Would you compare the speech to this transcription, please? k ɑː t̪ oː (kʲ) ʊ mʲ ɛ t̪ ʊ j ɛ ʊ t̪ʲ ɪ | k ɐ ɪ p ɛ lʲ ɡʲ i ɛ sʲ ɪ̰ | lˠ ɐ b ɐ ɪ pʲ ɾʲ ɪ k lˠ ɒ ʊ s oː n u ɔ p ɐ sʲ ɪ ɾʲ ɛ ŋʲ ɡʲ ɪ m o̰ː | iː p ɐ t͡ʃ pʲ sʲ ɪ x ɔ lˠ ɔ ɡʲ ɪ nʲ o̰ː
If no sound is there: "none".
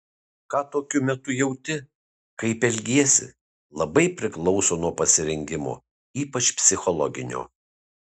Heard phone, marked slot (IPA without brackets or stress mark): kʲ